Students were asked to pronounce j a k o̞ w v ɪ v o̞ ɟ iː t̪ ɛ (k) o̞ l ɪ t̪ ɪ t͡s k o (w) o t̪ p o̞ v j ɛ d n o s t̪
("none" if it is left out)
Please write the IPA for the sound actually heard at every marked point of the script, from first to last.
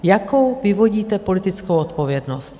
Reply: p, w

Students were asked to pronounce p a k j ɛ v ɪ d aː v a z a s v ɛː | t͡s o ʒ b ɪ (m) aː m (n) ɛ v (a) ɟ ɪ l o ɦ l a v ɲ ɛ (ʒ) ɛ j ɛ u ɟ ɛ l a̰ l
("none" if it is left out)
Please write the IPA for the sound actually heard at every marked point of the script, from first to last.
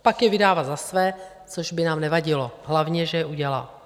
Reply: n, n, a, ʒ

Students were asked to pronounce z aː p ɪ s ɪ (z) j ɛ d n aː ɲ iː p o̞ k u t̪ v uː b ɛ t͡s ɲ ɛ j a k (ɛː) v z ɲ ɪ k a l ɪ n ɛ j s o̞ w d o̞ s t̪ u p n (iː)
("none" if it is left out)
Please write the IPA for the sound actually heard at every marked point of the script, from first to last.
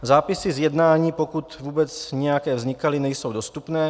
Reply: z, ɛː, ɛː

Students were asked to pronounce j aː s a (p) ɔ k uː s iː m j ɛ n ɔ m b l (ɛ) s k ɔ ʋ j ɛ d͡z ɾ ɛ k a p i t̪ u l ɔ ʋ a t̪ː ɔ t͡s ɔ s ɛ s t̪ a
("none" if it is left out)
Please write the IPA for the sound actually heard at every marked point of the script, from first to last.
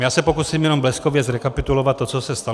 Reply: p, ɛ

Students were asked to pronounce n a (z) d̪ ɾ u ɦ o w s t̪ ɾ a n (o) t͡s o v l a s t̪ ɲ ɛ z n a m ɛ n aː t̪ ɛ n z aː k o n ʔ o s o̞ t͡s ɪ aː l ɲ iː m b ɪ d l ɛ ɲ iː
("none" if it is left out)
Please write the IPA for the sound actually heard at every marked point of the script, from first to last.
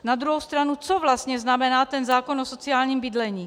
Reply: none, u

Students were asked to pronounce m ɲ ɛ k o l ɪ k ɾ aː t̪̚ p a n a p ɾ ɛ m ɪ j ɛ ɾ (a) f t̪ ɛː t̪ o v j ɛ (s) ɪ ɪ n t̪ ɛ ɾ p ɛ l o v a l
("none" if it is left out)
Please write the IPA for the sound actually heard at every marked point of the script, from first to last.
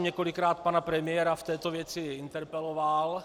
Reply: a, t͡s

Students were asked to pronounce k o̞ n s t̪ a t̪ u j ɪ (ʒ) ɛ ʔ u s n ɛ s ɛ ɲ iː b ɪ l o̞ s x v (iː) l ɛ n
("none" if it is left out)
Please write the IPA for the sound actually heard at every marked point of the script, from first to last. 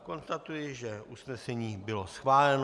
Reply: ʒ, aː

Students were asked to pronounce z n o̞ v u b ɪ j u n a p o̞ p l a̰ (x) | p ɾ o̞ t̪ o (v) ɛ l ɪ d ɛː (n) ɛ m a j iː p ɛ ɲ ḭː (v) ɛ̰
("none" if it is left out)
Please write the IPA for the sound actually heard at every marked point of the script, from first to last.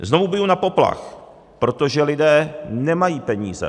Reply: x, ʒ, n, z

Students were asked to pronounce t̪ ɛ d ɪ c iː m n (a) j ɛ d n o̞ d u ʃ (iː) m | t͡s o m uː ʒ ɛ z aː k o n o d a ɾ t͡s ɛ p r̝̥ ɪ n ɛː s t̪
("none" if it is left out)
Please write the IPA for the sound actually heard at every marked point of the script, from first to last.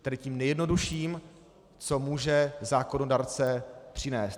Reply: ɛ, iː

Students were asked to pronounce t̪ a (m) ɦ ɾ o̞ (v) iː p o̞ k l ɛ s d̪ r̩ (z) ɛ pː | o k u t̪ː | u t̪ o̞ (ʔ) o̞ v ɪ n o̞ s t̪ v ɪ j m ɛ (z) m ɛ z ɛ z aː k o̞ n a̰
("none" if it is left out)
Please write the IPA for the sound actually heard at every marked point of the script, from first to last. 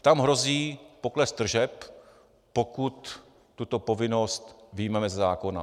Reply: m, z, ʒ, p, none

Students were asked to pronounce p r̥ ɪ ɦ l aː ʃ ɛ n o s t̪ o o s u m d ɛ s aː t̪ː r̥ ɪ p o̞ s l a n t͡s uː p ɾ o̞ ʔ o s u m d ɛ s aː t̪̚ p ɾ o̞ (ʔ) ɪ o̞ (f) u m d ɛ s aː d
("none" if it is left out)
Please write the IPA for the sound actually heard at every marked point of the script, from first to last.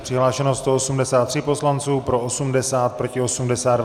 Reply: c, s

